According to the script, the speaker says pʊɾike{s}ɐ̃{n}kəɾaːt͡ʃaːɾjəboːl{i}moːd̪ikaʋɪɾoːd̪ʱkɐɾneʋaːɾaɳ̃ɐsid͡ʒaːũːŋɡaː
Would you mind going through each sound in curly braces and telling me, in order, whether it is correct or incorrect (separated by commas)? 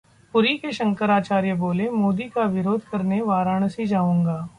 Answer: incorrect, incorrect, incorrect